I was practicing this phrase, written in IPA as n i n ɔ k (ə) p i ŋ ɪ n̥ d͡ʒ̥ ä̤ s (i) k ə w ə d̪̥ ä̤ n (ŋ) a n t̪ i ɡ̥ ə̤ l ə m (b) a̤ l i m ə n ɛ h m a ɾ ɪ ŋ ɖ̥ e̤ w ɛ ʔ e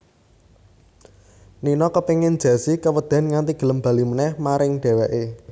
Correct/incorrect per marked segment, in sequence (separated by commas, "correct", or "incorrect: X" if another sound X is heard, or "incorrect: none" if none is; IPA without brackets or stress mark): correct, correct, correct, correct